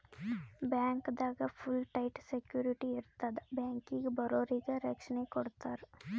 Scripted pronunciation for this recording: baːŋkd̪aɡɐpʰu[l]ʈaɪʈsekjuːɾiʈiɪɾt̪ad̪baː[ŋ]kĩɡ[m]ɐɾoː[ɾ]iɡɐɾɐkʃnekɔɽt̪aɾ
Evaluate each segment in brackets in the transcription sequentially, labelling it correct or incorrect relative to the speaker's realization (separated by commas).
correct, correct, incorrect, correct